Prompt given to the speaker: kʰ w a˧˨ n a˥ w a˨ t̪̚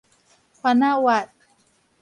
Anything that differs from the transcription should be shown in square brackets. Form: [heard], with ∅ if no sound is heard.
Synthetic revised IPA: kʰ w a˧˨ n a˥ w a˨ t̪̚